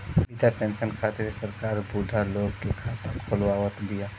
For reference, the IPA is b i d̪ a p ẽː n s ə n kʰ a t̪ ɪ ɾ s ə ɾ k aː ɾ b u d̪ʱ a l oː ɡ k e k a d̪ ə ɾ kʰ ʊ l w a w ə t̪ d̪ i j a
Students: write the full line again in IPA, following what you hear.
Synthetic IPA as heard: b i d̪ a p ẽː n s ə n kʰ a t̪ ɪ ɾ s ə ɾ k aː ɾ b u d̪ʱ a l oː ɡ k e kʰ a t̪ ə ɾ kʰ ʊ l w a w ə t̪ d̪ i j a